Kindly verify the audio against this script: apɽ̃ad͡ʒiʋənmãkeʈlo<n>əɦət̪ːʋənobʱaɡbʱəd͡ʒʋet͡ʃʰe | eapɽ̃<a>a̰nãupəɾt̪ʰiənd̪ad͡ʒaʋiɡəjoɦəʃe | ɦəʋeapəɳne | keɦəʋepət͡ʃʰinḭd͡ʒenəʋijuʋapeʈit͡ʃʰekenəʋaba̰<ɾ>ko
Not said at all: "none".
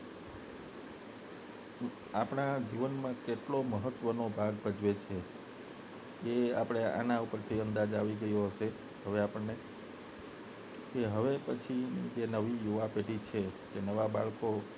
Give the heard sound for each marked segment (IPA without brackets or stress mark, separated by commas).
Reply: m, e, ɭ